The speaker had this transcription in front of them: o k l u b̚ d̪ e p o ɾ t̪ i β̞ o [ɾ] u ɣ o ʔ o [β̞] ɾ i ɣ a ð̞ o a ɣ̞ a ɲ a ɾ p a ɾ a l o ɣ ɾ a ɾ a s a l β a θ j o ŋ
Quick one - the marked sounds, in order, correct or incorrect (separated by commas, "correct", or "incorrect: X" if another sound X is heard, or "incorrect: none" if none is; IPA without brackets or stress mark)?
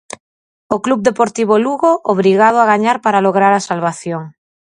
incorrect: l, correct